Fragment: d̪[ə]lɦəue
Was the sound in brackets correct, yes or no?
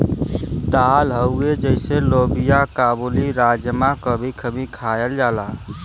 no